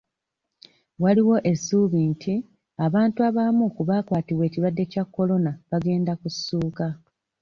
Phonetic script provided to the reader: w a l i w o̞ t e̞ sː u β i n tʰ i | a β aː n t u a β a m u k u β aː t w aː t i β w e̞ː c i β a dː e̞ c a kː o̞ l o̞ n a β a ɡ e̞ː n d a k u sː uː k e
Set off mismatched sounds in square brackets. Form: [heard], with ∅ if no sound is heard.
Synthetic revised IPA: w a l i w o̞ [ʔ] e̞ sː u β i n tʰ i | a β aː n t u a β a m u k u β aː [k] w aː t i β w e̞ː c i β a dː e̞ c a kː o̞ l o̞ n a β a ɡ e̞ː n d a k u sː uː k [a]